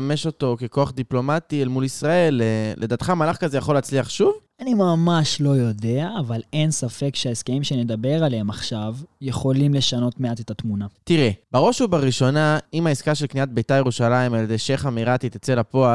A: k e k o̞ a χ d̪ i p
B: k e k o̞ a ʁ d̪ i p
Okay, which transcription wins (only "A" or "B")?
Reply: A